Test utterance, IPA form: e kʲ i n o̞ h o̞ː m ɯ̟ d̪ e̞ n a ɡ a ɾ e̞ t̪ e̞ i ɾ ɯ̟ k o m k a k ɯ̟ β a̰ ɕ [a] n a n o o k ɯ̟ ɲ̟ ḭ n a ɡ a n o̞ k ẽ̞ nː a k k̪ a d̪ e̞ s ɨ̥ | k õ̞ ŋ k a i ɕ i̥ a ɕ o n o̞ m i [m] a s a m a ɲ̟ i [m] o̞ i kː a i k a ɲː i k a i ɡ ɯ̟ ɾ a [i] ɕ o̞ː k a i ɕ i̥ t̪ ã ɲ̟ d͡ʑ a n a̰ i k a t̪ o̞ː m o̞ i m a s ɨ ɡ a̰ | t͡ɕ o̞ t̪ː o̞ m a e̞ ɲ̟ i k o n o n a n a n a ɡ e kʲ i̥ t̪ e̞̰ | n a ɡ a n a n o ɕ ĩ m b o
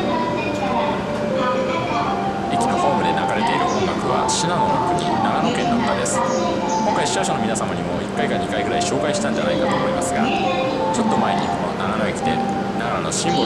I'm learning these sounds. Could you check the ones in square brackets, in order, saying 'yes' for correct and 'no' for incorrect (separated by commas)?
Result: no, no, yes, yes